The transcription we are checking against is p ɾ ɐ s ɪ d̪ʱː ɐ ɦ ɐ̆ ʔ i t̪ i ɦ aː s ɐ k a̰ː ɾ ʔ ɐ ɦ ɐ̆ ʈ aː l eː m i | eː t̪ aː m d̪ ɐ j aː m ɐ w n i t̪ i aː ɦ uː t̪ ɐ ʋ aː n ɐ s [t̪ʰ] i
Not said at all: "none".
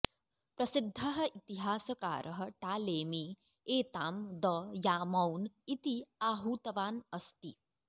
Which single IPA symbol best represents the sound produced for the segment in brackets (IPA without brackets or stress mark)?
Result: t̪